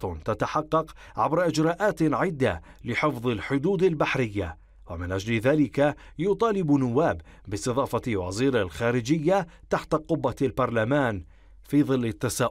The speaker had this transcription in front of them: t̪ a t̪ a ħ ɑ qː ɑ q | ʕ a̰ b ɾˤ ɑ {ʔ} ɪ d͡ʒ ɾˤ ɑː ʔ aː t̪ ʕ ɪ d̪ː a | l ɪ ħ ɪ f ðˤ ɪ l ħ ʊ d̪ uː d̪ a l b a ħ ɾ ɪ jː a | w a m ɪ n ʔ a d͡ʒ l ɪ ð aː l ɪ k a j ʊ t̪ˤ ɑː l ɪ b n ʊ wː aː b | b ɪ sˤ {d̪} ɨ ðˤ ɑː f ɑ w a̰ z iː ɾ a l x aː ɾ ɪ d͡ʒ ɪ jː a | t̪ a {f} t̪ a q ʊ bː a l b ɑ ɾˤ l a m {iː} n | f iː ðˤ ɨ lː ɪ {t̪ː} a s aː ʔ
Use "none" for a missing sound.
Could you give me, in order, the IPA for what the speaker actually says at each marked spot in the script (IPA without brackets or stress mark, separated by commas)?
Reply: ʔ, t̪, ħ, aː, t̪ː